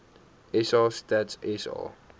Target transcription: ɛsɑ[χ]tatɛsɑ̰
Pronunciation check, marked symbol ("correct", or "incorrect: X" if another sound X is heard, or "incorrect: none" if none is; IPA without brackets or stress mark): incorrect: s